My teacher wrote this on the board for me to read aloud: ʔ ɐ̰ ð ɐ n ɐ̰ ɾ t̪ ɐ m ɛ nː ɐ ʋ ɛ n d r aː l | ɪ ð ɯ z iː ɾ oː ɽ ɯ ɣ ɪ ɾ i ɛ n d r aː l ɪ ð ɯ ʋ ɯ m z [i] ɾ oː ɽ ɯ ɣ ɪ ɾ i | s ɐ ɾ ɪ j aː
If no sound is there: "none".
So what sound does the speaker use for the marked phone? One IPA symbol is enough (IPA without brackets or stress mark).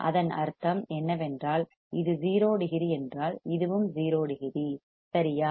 iː